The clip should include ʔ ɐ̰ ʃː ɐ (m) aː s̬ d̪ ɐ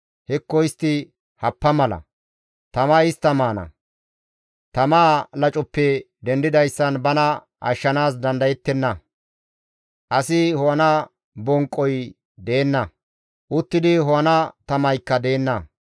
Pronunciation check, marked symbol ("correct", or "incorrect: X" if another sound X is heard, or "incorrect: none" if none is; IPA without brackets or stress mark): incorrect: n